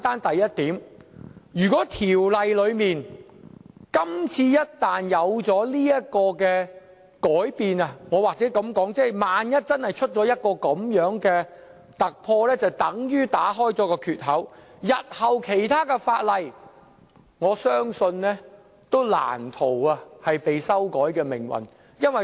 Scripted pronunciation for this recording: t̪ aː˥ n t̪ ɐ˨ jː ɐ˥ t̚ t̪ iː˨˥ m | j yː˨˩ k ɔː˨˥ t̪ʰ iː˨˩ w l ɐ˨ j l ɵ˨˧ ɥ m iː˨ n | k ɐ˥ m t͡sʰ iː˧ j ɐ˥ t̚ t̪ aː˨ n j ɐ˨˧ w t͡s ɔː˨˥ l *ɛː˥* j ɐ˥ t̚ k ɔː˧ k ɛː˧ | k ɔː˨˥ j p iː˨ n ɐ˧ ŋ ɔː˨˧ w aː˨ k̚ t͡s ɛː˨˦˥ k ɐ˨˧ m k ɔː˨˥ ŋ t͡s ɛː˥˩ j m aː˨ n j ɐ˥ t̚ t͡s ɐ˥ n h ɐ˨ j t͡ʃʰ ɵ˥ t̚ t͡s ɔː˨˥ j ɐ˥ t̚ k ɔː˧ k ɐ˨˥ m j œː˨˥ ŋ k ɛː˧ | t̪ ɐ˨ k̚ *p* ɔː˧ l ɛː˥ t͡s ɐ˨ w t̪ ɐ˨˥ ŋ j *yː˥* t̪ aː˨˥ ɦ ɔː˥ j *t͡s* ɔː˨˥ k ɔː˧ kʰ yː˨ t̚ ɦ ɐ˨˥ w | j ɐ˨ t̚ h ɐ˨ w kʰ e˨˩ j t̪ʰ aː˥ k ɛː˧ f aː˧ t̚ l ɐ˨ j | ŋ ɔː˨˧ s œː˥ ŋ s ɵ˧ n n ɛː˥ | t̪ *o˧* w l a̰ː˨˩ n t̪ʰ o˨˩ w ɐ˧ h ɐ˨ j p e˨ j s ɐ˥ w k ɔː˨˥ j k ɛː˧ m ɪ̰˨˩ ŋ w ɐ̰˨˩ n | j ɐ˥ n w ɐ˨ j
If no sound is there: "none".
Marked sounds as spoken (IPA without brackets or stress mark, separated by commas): iː˥, pʰ, yː˥, t͡s, o˥